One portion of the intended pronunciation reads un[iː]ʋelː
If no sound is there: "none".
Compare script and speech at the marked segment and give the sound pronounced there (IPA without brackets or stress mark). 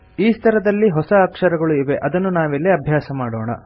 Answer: aː